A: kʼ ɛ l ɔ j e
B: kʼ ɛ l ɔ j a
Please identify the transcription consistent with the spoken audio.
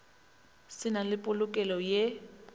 A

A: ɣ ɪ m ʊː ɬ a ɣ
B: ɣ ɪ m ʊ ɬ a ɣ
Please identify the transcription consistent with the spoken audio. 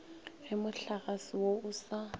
B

